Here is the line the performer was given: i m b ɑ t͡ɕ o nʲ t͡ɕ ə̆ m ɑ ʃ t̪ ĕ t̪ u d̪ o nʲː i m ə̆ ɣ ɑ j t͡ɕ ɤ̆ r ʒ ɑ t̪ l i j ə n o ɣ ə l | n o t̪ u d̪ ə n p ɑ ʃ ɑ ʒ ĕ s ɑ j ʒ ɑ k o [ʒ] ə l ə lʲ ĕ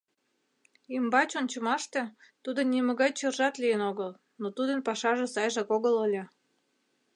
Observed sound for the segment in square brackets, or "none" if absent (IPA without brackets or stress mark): ɣ